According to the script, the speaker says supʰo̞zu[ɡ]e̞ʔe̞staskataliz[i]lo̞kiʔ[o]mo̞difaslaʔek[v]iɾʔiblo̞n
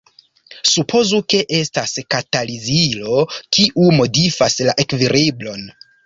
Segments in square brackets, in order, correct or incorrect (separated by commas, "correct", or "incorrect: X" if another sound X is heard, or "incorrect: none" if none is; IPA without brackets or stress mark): incorrect: k, correct, incorrect: u, correct